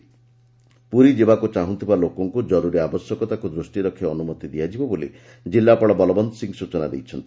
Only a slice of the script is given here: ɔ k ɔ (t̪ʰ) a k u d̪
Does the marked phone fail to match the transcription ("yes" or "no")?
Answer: yes